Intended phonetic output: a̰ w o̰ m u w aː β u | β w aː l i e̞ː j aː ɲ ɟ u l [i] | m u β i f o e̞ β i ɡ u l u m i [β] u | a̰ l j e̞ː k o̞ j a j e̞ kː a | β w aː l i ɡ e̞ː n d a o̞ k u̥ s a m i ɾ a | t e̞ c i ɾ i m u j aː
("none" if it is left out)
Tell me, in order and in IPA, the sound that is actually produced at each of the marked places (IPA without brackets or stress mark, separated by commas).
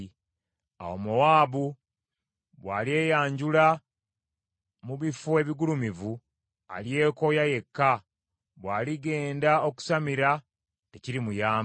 a, v